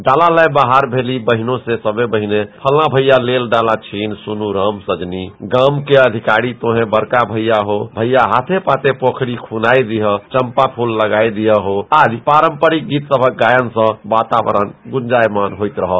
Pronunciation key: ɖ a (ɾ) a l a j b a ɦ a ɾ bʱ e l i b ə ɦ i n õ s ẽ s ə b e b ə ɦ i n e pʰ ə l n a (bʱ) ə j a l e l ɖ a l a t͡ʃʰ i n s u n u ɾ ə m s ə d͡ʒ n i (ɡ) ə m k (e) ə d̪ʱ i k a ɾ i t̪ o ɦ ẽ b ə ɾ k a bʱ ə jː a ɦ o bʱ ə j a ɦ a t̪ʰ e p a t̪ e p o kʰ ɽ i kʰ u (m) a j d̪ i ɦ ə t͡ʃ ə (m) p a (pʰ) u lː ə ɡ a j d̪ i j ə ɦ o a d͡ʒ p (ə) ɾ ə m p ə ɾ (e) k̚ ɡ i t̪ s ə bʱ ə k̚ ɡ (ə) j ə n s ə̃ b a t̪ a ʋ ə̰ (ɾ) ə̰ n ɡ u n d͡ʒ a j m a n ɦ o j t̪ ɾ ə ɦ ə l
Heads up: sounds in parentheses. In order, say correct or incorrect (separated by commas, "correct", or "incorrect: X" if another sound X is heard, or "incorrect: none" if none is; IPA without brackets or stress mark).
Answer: incorrect: l, correct, correct, correct, incorrect: n, correct, correct, incorrect: a, incorrect: i, incorrect: a, correct